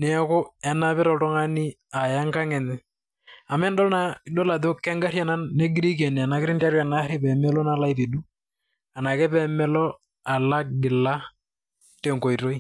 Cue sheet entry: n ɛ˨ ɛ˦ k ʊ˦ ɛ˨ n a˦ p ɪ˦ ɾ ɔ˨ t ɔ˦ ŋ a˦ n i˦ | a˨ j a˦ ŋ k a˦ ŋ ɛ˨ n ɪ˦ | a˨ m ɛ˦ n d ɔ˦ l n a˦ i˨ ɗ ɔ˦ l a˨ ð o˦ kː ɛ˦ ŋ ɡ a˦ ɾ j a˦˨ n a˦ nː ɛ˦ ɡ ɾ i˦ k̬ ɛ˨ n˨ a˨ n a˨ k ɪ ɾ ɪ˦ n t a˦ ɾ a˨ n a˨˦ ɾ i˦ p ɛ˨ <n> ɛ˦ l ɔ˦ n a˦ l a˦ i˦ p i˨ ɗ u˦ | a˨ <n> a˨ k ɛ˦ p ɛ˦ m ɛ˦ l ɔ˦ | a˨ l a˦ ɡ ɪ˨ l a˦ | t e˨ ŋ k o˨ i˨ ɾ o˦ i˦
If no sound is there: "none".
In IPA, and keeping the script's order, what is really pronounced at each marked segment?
m, n

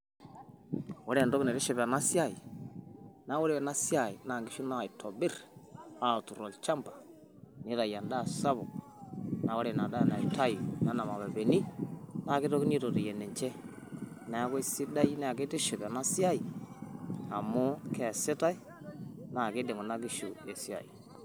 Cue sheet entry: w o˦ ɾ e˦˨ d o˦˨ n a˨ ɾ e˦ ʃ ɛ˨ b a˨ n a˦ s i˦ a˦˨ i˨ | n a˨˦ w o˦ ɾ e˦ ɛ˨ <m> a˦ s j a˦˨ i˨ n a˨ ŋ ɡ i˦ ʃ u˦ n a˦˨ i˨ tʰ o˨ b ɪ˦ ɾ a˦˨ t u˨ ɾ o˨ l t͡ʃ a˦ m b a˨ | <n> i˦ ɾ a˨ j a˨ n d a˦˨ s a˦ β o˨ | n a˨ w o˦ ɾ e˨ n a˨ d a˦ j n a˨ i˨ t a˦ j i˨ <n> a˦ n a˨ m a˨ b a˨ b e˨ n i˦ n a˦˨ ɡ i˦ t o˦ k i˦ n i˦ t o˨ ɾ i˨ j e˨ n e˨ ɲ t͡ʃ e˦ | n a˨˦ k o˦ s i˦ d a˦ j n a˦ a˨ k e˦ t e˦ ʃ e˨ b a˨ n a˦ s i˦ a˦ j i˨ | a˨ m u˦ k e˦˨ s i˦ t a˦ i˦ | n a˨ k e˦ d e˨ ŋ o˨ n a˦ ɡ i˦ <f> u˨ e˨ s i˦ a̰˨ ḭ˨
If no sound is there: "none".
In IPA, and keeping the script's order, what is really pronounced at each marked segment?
n, n, n, ʃ

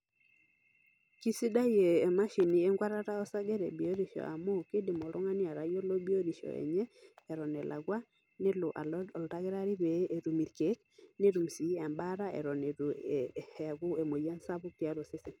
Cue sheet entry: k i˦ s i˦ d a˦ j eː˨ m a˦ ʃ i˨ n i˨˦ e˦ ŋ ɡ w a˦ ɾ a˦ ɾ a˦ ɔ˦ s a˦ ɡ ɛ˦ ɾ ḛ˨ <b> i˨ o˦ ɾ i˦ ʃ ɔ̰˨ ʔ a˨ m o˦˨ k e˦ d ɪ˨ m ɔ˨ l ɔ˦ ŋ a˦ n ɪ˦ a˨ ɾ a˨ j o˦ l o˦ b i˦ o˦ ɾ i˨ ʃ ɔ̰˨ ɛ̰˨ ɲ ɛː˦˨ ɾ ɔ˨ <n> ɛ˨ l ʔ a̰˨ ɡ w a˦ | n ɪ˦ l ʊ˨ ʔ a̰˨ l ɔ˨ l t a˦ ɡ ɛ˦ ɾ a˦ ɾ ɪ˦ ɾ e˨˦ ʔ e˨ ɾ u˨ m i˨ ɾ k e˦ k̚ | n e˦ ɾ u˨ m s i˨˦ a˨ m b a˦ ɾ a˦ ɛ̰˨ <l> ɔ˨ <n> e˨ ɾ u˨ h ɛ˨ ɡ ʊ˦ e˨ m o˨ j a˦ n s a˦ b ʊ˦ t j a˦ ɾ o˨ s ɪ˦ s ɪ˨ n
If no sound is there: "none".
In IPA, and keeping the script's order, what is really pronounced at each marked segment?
b, n, ɾ, n

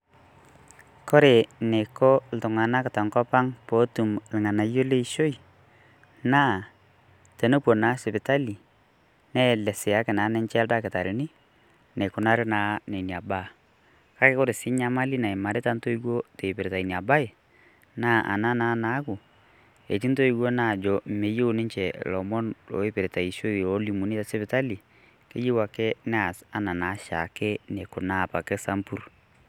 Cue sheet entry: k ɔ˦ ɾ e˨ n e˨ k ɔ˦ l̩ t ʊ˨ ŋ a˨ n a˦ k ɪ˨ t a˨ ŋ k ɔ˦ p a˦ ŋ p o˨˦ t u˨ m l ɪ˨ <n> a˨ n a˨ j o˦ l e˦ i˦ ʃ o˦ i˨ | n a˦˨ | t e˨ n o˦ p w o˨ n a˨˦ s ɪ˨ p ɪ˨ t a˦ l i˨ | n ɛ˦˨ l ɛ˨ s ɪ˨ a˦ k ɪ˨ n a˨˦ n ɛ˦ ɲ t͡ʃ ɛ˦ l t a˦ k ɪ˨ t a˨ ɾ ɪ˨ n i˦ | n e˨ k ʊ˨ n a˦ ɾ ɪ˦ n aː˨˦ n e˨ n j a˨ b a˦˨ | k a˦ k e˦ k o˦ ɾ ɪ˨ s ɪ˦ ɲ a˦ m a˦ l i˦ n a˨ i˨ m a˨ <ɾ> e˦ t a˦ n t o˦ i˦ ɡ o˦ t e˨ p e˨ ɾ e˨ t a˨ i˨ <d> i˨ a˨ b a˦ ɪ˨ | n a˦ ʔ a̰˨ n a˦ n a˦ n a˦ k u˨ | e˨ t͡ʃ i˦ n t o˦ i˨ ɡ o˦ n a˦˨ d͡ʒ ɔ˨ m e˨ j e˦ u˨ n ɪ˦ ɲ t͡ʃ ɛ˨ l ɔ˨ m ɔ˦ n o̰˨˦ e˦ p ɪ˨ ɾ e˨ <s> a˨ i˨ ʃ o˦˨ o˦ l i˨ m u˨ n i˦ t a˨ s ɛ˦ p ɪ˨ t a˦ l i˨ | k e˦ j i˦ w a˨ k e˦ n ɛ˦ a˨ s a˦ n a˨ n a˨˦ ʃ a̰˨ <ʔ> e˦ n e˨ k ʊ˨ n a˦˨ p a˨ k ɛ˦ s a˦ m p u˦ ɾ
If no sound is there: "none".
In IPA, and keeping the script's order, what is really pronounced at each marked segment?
ŋ, ɾ, n, t, k

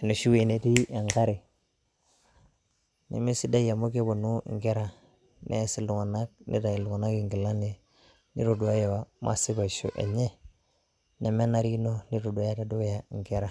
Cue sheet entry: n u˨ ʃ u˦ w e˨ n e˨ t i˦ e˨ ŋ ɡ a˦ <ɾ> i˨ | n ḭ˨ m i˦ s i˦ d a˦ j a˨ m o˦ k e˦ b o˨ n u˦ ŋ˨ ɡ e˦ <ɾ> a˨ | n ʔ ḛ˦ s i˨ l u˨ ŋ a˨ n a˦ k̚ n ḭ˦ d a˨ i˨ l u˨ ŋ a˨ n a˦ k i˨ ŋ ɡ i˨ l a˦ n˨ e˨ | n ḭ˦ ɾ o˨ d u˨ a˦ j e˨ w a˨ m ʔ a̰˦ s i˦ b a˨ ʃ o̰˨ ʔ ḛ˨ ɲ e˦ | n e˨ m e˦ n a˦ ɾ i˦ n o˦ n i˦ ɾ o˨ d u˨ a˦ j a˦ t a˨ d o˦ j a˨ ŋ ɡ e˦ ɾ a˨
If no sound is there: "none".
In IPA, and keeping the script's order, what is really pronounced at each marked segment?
ɾ, ɾ

